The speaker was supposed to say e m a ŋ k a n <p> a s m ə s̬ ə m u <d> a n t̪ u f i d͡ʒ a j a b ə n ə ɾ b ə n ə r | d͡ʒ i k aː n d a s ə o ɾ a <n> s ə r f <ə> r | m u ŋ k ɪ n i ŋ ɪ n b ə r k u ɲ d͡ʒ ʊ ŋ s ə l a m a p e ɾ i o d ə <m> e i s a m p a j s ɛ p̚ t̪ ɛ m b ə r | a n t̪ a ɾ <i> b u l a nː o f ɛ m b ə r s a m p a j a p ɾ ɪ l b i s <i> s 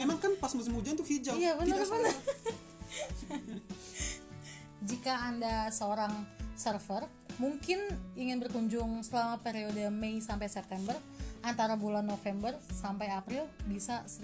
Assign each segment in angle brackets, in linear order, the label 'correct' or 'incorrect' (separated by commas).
correct, incorrect, incorrect, correct, correct, incorrect, incorrect